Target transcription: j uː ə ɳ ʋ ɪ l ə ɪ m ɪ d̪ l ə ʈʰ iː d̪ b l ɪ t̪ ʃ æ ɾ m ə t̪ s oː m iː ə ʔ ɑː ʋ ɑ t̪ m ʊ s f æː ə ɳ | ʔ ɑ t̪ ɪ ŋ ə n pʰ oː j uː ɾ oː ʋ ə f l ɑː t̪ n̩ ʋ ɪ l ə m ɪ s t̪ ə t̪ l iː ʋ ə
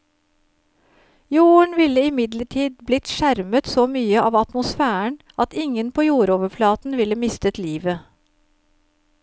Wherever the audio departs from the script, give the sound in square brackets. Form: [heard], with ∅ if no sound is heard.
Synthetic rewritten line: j uː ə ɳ ʋ ɪ l ə ɪ m ɪ d̪ l ə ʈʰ iː d̪ b l ɪ t̪ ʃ æ ɾ m ə t̪ s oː m [yː] ə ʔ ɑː ʋ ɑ t̪ m ʊ s f æː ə ɳ | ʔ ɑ t̪ ɪ ŋ ə n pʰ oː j uː ɾ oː ʋ ə f l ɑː t̪ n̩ ʋ ɪ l ə m ɪ s t̪ ə t̪ l iː ʋ ə